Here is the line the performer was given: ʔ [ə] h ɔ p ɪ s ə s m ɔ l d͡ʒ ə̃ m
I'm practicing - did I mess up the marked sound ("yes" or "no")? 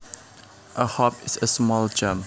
no